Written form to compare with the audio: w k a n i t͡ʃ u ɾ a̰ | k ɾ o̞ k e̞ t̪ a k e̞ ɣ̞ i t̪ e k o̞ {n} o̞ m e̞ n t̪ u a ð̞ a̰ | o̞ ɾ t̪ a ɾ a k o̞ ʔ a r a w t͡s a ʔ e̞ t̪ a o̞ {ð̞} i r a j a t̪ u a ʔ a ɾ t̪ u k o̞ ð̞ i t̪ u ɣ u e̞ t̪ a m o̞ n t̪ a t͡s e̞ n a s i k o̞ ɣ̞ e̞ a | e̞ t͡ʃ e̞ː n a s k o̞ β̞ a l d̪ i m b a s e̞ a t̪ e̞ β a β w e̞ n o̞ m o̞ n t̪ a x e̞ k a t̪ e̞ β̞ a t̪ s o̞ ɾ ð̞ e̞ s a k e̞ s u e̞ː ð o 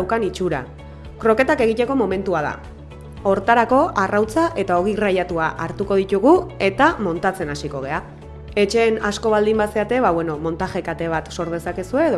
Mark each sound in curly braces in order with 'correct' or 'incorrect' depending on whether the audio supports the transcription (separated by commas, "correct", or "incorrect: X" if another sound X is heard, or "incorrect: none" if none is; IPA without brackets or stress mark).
incorrect: m, incorrect: ɣ̞